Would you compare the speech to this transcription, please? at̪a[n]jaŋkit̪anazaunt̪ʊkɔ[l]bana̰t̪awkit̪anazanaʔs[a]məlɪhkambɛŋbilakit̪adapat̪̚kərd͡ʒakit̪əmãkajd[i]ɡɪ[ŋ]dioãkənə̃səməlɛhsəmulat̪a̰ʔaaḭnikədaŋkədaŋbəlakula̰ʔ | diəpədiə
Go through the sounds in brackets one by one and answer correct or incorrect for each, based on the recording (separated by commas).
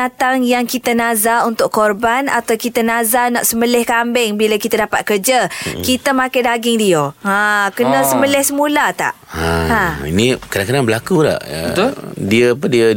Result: incorrect, incorrect, incorrect, incorrect, correct